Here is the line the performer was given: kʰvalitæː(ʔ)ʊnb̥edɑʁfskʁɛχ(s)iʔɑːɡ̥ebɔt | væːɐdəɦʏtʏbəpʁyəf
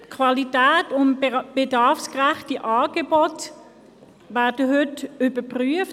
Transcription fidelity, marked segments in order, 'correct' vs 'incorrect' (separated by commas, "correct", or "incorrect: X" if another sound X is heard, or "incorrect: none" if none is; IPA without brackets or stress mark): incorrect: t, incorrect: t